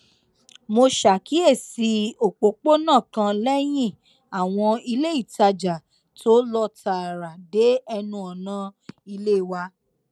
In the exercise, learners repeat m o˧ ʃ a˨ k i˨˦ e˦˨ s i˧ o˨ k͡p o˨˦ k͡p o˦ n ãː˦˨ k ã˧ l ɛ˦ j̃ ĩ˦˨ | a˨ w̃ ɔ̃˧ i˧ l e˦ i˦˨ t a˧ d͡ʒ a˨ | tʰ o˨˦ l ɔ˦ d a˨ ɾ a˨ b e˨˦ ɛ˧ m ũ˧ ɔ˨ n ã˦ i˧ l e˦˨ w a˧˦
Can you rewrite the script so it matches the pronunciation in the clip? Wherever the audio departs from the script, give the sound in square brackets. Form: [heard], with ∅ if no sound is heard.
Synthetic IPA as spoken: m o˧ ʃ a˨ k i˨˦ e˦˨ s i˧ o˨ k͡p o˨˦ k͡p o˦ n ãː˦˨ k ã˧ l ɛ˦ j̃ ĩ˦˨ | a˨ w̃ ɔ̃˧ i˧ l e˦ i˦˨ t a˧ d͡ʒ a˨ | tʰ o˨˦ l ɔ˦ [t] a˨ ɾ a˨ [d] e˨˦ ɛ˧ [n] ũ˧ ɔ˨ n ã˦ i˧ l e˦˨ w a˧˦